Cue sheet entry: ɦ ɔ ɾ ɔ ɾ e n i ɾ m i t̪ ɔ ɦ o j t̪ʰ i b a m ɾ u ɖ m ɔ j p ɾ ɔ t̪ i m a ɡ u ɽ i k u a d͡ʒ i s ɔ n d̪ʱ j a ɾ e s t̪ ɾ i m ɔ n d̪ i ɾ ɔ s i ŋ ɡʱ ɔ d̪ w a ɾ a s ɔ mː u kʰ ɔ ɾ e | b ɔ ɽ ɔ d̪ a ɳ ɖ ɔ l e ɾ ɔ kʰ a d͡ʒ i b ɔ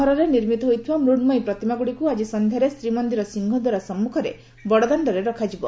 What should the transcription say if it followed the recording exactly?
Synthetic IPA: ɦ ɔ ɾ ɔ ɾ e n i ɾ m i t̪ ɔ ɦ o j t̪ʰ i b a m ɾ u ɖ m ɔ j p ɾ ɔ t̪ i m a ɡ u ɽ i k u a d͡ʒ i s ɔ n d̪ʱ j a ɾ e s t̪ ɾ i m ɔ n d̪ i ɾ ɔ s i ŋ ɡʱ ɔ d̪ w a ɾ a s ɔ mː u kʰ ɔ ɾ e | b ɔ ɽ ɔ d̪ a ɳ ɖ ɔ ɾ e ɾ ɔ kʰ a d͡ʒ i b ɔ